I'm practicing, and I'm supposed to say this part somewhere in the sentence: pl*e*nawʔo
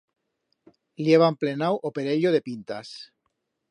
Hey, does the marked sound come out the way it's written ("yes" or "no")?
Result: yes